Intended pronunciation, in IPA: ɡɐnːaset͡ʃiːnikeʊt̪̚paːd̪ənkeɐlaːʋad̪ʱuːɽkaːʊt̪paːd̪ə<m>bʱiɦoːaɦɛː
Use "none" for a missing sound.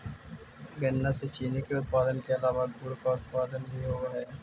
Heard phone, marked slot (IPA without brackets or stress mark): n